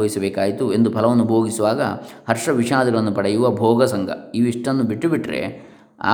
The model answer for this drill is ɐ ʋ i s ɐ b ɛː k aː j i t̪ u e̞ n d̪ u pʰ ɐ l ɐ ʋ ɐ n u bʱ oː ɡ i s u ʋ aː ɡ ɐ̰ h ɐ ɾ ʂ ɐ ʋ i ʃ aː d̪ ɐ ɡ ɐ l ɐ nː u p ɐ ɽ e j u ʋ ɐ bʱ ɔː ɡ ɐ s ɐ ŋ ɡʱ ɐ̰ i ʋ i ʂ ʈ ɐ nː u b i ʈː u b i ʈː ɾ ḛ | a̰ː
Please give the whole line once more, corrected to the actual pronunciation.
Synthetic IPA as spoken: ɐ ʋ i s ɐ b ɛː k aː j i t̪ u e̞ n d̪ u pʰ ɐ l ɐ ʋ ɐ nː u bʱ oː ɡ i s u ʋ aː ɡ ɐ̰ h ɐ ɾ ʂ ɐ ʋ i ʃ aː d̪ ɐ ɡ ɐ ɭ ɐ nː u p ɐ ɽ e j u ʋ ɐ bʱ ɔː ɡ ɐ s ɐ ŋ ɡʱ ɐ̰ i ʋ i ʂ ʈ ɐ nː u b i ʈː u b i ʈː ɾ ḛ | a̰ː